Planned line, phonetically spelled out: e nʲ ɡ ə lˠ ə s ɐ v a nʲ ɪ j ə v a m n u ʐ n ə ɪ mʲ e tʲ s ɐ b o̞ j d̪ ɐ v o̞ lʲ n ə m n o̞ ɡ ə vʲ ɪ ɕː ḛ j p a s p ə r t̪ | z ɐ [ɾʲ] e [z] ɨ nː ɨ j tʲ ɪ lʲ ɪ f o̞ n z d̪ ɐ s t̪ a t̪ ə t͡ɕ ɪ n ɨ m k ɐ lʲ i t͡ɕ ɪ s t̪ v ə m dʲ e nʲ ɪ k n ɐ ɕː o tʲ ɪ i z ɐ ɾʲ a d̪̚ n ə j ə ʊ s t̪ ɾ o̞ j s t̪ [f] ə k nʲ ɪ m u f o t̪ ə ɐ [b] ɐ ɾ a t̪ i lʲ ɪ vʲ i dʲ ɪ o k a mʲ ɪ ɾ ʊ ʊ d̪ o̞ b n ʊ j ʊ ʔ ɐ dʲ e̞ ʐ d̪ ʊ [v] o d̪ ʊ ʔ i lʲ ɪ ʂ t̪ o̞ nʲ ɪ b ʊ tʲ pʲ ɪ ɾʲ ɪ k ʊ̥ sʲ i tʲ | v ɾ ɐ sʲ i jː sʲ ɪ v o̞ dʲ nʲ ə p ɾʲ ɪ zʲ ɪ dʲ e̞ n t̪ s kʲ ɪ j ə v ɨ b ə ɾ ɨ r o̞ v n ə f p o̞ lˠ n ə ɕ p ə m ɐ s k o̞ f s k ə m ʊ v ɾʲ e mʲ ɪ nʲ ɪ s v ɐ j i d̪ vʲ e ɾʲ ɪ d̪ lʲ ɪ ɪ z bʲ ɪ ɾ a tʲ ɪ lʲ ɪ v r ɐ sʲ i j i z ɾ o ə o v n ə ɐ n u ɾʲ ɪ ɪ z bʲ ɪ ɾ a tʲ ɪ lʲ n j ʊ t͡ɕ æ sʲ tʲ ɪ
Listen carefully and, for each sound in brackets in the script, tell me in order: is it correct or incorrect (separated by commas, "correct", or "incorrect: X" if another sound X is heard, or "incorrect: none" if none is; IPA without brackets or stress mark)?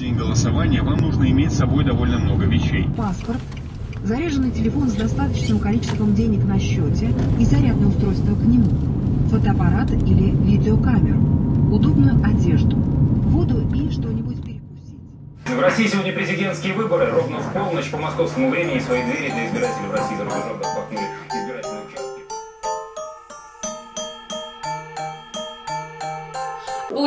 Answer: correct, incorrect: ʐ, incorrect: v, incorrect: p, correct